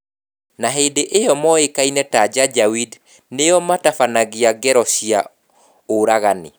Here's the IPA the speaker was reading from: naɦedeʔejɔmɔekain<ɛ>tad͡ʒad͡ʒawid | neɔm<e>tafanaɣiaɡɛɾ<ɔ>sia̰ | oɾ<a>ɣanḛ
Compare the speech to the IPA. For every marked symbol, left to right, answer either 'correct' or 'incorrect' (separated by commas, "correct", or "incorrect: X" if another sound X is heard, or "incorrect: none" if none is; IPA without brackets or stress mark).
correct, incorrect: a, correct, correct